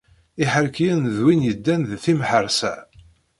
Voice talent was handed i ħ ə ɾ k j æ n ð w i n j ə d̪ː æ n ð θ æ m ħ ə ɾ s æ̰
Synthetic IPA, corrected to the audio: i ħ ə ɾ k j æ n ð w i n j ə d̪ː æ n ð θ i m ħ ə ɾ s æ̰